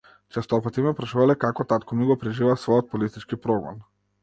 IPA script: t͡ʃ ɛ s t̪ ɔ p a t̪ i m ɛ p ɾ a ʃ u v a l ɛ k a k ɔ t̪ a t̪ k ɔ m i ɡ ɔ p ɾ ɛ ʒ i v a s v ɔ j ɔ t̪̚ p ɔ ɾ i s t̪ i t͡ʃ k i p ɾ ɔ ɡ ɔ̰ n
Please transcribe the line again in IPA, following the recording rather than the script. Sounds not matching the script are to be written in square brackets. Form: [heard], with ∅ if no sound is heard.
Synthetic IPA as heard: t͡ʃ ɛ s t̪ ɔ p a t̪ i m ɛ p ɾ a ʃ u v a l ɛ k a k ɔ t̪ a t̪ k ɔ m i ɡ ɔ p ɾ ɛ ʒ i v a s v ɔ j ɔ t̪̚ p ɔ [l] i s t̪ i t͡ʃ k i p ɾ ɔ ɡ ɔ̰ n